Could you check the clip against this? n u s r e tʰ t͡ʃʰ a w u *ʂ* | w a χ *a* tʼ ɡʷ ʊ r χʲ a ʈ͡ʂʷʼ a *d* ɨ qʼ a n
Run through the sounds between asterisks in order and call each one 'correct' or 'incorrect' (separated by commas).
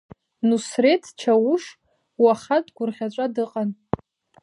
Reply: correct, correct, correct